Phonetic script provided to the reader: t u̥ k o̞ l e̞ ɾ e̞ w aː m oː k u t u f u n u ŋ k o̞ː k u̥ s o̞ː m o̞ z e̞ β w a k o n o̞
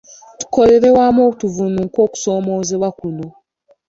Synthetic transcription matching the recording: t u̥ k o̞ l e̞ ɾ e̞ w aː m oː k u t u v u n u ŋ k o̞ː k u̥ s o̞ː m o̞ z e̞ β w a k u n o̞